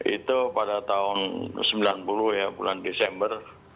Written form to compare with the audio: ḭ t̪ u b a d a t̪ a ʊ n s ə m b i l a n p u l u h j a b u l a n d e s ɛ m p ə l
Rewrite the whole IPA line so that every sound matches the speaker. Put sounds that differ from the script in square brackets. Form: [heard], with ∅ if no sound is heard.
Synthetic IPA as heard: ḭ t̪ u [p] a d a t̪ a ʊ n s ə m b i l a n p u l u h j a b u l a n d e s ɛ m [b] ə [r]